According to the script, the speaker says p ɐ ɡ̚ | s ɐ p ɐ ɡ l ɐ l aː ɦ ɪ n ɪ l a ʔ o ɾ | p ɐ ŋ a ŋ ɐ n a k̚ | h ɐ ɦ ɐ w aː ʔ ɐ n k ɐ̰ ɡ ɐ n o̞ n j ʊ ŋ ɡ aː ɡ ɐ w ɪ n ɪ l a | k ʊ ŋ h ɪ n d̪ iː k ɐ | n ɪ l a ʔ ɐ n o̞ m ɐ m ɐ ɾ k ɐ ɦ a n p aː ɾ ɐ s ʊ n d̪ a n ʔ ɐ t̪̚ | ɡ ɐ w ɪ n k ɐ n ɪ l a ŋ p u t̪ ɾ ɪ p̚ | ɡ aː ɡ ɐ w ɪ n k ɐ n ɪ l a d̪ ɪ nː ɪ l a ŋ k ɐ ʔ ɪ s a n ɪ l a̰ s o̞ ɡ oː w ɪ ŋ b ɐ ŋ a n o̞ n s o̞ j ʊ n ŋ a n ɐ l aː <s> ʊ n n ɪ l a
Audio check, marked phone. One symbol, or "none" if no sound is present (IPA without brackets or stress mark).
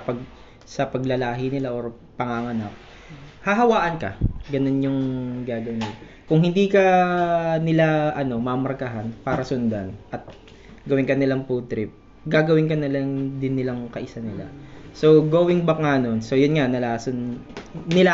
s